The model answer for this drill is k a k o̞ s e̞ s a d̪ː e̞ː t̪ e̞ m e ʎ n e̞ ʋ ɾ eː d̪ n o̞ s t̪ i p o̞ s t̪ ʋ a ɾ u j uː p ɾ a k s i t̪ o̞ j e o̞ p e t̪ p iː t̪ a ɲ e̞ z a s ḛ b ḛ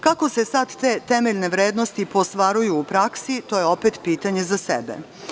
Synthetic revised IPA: k a k o̞ s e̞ s a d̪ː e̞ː t̪ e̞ m e ʎ n e̞ ʋ ɾ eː d̪ n o̞ s t̪ i p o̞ s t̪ ʋ a ɾ u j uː p ɾ a k s i t̪ o̞ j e o̞ p e t̪ p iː t̪ a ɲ e̞ z a s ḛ b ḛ